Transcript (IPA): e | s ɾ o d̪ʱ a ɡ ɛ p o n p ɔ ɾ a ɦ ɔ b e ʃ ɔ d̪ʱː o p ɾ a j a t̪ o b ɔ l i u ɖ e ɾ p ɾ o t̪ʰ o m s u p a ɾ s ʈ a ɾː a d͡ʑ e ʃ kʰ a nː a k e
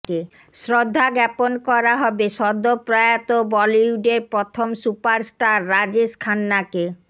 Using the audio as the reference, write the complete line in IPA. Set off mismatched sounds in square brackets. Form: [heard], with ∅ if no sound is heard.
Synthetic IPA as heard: e | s ɾ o [d̪ʱː] a ɡ ɛ p o n [k] ɔ ɾ a ɦ ɔ b e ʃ ɔ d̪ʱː o p ɾ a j a t̪ o b ɔ l i u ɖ e ɾ p ɾ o t̪ʰ o m s u p a ɾ s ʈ a ɾː a d͡ʑ e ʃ kʰ a nː a k e